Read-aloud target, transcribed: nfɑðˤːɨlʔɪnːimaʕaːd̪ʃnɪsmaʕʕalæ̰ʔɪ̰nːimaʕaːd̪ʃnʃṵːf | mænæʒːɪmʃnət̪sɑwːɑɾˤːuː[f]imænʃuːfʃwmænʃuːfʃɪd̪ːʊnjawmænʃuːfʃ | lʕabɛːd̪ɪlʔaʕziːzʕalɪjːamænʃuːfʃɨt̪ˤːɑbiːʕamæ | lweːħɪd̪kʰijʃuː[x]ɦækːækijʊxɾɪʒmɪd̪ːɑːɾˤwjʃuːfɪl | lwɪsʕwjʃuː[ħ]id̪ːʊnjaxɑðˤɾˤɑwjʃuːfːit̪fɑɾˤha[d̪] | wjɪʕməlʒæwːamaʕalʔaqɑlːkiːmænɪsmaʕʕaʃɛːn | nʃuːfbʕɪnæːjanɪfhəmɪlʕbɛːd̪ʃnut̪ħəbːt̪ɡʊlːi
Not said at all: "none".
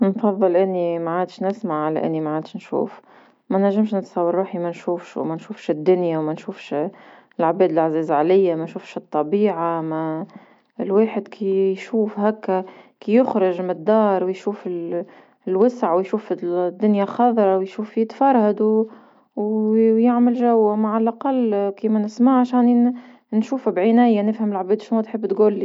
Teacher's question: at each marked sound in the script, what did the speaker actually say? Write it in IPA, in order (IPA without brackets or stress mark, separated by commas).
ħ, f, f, d̪